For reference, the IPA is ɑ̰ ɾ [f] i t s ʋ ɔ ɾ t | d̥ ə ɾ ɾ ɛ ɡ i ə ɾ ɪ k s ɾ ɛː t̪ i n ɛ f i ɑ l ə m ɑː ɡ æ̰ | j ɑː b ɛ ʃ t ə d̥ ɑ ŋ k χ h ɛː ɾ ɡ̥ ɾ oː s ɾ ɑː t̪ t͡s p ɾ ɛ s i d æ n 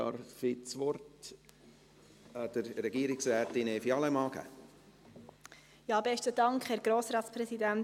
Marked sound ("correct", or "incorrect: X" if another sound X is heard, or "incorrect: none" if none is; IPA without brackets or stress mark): correct